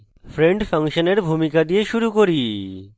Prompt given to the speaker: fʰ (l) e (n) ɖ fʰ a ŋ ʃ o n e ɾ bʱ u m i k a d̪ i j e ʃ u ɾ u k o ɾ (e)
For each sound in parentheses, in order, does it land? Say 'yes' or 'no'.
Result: no, no, no

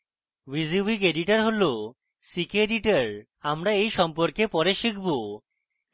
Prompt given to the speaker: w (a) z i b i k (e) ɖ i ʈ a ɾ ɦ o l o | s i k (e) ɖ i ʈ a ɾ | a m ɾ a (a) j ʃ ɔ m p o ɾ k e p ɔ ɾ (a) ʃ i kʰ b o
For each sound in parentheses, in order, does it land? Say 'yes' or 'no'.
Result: no, yes, yes, no, no

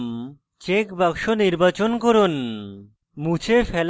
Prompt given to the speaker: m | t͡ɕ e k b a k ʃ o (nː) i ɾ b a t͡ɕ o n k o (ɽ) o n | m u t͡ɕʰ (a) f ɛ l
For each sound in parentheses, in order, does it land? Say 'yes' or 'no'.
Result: no, no, no

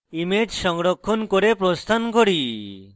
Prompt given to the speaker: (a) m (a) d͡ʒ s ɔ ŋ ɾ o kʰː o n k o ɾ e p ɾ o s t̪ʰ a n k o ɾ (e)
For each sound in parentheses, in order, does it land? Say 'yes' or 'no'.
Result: no, no, no

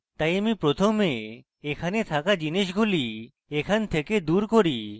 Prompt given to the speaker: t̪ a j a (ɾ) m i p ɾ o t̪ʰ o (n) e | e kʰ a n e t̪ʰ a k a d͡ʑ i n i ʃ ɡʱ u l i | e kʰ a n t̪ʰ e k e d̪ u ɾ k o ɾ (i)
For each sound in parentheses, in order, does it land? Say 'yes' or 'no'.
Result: no, no, yes

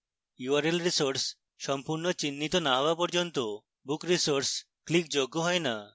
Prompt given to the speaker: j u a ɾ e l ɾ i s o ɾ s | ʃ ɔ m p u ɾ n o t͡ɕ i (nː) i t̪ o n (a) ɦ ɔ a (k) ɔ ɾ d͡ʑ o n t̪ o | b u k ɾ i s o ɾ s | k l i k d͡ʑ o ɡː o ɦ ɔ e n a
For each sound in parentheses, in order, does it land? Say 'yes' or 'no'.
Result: yes, yes, no

